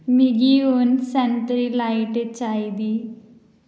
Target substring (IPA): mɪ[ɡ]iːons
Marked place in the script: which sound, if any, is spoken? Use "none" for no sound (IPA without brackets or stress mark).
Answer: ɡ